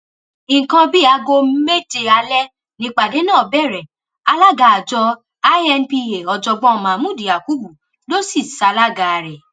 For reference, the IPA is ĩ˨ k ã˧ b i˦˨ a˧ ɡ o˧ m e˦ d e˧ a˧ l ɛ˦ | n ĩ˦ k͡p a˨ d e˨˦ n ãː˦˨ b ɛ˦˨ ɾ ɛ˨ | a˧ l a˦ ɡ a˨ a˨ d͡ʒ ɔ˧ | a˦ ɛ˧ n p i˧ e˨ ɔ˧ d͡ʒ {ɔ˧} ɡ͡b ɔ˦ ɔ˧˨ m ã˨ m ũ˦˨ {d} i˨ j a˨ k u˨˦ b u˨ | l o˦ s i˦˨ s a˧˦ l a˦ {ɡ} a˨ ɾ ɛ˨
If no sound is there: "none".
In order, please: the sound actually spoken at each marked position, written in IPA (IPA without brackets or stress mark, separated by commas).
ɔ˧, d, ɡ